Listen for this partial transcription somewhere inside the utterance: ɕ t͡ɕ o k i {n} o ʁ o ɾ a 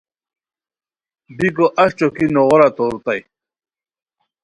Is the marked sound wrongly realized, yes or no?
no